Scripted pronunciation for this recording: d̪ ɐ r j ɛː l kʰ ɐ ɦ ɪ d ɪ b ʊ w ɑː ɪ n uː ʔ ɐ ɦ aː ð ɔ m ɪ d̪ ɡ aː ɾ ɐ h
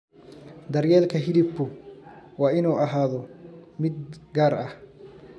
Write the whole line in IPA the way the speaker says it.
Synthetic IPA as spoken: d̪ ɐ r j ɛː l kʰ ɐ ɦ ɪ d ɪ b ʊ w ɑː ɪ n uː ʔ ɐ ɦ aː ð ɔ m ɪ d̪ ɡ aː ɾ ɐ h